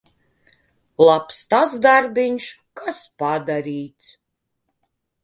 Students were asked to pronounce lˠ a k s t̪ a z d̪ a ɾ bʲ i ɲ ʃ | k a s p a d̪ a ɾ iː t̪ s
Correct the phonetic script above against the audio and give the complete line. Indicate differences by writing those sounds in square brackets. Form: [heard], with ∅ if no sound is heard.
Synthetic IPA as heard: lˠ a [p] s t̪ a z d̪ a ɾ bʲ i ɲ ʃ | k a s p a d̪ a ɾ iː t̪ s